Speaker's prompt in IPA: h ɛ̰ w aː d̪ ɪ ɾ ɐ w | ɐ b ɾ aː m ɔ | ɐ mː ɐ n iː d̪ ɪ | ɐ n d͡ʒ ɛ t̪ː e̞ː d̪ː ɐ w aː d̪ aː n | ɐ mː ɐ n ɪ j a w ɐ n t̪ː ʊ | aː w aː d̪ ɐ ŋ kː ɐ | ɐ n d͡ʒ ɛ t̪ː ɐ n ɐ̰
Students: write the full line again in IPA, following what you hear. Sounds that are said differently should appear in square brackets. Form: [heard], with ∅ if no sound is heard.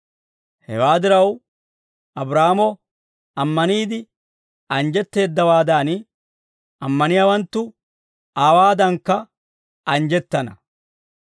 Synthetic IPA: h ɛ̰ w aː d̪ ɪ ɾ ɐ w | ɐ b ɾ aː m ɔ | ɐ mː ɐ n iː d̪ ɪ | ɐ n d͡ʒ ɛ t̪ː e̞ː d̪ː ɐ w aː d̪ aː n | ɐ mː ɐ n ɪ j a w ɐ n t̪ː ʊ | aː w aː d̪ ɐ ŋ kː ɐ | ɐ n d͡ʒ ɛ t̪ː ɐ n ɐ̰